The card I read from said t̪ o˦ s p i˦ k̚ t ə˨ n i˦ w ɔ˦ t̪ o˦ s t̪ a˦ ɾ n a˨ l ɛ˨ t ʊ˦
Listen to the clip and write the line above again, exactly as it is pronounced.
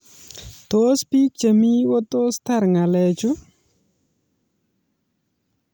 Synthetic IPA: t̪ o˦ s p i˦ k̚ t͡ʃ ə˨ m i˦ w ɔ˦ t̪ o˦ s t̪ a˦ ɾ ŋ a˨ l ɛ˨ t͡ʃ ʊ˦